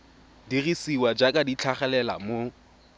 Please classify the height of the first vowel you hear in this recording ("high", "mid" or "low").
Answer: high